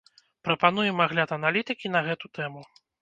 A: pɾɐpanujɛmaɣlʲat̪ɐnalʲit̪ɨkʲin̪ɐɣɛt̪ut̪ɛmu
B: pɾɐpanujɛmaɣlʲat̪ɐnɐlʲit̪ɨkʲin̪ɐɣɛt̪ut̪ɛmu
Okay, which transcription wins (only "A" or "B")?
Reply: A